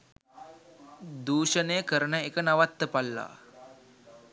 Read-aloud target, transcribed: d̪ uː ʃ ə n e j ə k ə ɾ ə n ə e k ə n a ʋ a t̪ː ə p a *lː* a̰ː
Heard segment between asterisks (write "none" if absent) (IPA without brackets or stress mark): lː